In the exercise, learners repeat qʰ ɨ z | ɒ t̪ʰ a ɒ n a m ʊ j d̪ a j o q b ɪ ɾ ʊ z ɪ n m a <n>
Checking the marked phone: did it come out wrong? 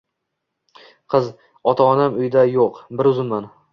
no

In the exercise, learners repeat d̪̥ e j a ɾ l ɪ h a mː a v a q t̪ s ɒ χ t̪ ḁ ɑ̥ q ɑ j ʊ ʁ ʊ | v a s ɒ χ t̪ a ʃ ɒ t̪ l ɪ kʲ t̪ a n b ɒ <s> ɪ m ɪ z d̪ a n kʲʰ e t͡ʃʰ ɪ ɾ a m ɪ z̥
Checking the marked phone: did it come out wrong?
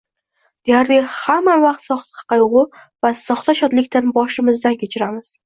yes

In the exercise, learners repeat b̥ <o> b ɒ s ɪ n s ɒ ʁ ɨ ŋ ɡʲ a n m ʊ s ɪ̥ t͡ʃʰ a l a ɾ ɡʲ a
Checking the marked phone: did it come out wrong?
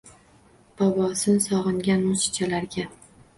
yes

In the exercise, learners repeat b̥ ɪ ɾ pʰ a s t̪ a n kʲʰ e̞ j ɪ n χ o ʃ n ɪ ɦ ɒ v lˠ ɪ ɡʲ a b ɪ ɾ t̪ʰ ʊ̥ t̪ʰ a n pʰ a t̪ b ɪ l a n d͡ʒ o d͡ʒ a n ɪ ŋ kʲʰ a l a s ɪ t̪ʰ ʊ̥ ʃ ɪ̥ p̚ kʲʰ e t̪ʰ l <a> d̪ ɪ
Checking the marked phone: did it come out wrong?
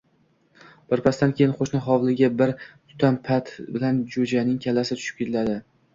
no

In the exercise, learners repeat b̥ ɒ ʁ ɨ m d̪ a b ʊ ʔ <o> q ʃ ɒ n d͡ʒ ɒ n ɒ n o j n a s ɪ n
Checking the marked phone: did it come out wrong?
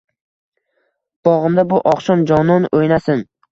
yes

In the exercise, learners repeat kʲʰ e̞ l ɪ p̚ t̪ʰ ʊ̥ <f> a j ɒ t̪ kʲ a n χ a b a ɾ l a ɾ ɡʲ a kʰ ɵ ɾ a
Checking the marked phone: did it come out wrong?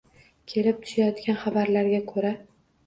yes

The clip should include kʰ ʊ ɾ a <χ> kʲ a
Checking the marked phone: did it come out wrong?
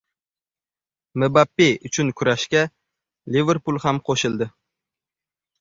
yes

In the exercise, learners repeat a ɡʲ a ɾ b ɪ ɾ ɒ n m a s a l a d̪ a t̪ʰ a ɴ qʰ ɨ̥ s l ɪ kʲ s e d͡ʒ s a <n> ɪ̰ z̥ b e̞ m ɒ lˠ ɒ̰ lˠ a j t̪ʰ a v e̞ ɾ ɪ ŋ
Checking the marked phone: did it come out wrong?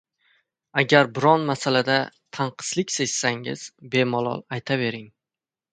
yes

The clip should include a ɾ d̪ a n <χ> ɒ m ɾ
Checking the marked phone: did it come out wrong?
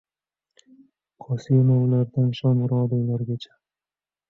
yes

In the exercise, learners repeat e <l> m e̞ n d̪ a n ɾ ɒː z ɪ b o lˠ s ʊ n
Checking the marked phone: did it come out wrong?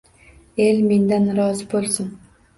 no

